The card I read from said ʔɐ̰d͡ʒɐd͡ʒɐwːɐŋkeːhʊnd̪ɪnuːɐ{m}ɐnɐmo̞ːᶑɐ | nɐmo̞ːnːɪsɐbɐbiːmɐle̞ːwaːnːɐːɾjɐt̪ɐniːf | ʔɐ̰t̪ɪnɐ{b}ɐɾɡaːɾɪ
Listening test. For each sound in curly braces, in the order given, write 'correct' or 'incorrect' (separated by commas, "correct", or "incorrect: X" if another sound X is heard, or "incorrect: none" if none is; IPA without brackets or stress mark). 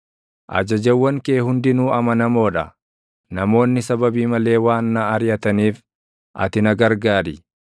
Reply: correct, incorrect: ɡ